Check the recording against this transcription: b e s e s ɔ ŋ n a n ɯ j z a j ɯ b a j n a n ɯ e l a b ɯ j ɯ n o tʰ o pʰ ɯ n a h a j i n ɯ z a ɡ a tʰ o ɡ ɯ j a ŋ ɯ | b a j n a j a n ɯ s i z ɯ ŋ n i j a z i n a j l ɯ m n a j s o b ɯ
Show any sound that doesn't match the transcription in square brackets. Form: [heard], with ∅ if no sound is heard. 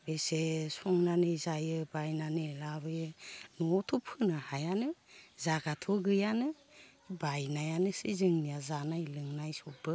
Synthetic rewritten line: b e s e s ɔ ŋ n a n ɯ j z a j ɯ b a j n a n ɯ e l a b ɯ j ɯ n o tʰ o pʰ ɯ n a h a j [a] n ɯ z a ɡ a tʰ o ɡ ɯ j a [n] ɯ | b a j n a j a n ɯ s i z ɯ ŋ n i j a z [a] n a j l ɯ [ŋ] n a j s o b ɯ